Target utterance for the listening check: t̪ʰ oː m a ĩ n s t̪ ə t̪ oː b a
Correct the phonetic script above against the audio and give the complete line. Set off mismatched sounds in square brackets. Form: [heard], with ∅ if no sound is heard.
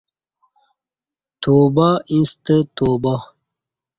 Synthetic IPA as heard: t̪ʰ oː [b] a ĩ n s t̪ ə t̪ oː b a

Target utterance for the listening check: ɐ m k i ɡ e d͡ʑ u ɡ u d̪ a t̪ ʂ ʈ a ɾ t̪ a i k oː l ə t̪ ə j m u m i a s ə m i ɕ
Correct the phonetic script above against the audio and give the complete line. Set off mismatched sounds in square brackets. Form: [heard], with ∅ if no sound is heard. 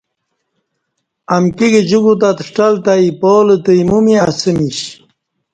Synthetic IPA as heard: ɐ m k i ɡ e d͡ʑ u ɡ u [t̪] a t̪ ʂ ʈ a [l] t̪ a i [p] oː l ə t̪ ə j m u m i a s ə m i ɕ

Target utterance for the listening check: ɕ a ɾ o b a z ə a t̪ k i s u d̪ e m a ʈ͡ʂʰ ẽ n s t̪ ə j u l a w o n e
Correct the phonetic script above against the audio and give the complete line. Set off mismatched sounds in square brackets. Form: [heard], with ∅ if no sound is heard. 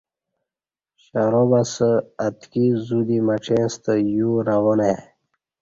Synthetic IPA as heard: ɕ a ɾ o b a [s] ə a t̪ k i [z] u d̪ [i] m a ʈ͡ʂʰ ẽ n s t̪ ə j u [ɾ] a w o n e

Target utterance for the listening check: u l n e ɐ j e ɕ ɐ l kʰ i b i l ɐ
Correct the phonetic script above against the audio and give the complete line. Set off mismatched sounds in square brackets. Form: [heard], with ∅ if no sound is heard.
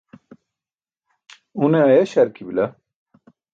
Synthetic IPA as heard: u [∅] n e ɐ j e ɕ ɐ [ɾ] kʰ i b i l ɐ

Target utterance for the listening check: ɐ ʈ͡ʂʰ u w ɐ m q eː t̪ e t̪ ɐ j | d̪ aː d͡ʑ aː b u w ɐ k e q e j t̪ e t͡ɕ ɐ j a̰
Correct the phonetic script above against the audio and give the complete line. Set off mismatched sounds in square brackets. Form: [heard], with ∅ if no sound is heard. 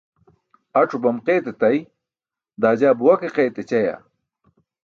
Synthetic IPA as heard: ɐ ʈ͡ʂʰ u [b] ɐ m q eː t̪ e t̪ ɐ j | d̪ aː d͡ʑ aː b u w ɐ k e q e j t̪ e t͡ɕ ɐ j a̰

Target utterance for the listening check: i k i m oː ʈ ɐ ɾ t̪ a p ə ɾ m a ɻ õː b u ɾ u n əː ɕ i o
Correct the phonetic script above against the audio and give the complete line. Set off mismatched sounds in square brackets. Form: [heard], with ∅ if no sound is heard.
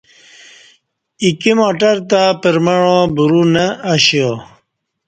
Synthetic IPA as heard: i k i m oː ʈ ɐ ɾ t̪ a p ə ɾ m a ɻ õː b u ɾ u n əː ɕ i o

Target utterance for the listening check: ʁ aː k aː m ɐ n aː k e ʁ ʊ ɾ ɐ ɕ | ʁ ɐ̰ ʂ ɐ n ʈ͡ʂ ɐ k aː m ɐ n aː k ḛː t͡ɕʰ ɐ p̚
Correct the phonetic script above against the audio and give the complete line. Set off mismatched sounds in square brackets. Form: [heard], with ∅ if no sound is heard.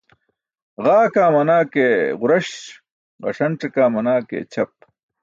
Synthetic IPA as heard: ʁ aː k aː m ɐ n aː k e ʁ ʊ ɾ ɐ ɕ | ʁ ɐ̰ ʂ ɐ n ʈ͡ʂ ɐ k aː m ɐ n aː k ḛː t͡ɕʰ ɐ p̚

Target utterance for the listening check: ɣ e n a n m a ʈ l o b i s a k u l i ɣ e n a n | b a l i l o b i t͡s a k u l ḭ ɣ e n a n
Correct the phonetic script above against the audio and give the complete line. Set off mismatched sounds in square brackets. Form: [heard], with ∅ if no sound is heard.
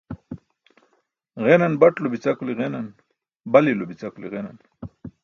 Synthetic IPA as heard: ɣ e n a n [b] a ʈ l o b i [t͡s] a k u l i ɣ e n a n | b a l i l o b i t͡s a k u l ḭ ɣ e n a n

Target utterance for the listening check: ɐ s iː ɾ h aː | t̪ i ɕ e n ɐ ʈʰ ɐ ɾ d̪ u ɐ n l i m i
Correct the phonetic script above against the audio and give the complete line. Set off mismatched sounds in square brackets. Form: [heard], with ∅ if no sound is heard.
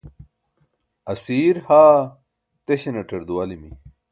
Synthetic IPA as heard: ɐ s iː ɾ h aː | t̪ [e] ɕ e n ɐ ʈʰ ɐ ɾ d̪ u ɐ [∅] l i m i

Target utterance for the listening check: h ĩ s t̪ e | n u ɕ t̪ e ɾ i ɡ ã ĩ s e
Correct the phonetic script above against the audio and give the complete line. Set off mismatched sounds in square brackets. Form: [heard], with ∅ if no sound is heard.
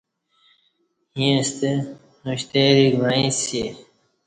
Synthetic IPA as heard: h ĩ s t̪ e | n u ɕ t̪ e ɾ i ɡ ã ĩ s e

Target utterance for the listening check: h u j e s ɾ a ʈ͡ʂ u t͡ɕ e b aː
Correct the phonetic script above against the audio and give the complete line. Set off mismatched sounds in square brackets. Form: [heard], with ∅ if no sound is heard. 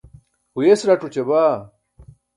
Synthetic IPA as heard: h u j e s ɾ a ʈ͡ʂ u t͡ɕ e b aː

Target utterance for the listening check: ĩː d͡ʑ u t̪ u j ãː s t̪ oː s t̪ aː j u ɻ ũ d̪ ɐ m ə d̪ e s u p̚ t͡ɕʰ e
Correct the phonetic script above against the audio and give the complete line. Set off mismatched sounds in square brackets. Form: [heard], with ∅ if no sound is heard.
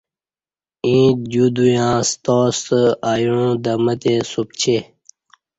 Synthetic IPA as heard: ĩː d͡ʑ u [d̪] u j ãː s t̪ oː s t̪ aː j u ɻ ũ d̪ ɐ m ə [t̪] e s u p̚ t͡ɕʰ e

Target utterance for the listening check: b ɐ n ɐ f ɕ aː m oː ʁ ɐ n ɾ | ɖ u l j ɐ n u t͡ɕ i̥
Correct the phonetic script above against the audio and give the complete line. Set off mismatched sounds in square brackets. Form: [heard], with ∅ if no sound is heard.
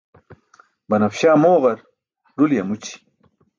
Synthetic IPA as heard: b ɐ n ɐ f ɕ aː m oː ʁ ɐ [∅] ɾ | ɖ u l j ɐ [m] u t͡ɕ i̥

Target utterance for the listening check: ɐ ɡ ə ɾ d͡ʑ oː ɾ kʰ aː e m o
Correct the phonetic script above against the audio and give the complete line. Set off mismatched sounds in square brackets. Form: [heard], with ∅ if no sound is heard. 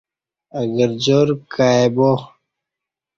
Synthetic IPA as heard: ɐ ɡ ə ɾ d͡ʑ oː ɾ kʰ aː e [b] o

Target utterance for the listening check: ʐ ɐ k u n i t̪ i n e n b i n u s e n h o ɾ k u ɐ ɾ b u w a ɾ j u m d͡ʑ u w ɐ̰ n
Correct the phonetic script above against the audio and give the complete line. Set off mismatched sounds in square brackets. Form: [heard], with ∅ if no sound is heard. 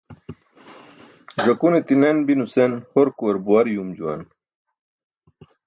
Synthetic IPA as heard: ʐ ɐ k u n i t̪ i n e n b i n u s e n h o ɾ k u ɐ ɾ b u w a ɾ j u m d͡ʑ u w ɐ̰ n

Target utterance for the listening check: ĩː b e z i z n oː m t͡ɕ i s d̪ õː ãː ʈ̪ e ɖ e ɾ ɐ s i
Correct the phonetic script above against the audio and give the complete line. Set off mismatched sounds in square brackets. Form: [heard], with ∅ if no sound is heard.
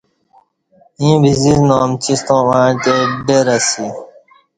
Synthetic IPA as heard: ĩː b [i] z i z n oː m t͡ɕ i s [t̪] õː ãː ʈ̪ e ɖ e ɾ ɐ s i

